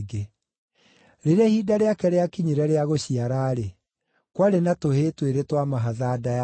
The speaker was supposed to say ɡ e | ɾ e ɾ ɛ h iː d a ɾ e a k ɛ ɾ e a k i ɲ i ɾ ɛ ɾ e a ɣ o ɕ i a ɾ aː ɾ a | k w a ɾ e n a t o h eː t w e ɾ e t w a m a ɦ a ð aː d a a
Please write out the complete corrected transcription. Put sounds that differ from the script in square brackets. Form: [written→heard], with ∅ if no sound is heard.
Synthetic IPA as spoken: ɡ e | ɾ e ɾ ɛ h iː d a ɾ e a k ɛ ɾ e a k i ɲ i ɾ ɛ ɾ e a ɣ o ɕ i a ɾ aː ɾ [a→e] | k w a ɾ e n a t o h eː t w e ɾ e t w a m a ɦ a ð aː d a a